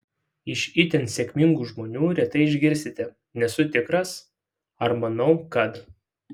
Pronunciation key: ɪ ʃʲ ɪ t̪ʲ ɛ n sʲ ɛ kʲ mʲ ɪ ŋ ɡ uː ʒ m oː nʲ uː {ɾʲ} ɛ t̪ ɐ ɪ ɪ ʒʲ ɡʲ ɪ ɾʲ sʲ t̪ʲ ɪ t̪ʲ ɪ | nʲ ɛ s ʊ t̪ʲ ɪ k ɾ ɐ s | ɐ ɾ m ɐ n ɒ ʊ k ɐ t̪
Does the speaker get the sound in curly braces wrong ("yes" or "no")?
no